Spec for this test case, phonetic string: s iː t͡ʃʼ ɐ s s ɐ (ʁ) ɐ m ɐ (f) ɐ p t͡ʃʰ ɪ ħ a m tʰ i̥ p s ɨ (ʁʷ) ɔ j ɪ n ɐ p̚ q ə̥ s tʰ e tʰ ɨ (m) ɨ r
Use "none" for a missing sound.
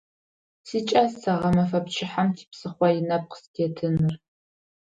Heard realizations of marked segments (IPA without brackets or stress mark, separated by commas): ʁ, f, χʷ, n